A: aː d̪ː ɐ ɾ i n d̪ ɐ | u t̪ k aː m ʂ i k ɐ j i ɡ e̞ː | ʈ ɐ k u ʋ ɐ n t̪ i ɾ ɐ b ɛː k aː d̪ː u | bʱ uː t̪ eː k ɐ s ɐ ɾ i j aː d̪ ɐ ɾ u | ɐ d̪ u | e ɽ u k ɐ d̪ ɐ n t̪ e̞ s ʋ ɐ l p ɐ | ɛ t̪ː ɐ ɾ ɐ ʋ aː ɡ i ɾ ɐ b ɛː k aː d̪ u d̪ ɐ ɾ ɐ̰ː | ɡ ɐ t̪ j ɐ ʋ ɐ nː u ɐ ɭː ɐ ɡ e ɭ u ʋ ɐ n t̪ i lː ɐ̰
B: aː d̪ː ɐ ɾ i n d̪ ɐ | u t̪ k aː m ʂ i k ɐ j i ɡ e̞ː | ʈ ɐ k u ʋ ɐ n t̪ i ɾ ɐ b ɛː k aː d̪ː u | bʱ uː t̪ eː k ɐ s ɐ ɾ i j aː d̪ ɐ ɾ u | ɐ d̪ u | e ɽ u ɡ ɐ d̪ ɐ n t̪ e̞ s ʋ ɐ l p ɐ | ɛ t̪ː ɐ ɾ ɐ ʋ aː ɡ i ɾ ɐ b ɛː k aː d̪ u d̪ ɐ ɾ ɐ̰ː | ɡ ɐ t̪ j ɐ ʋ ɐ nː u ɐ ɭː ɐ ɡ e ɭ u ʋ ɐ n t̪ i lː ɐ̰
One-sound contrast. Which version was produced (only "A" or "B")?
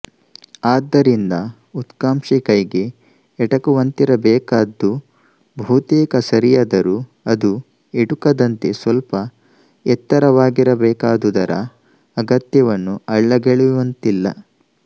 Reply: A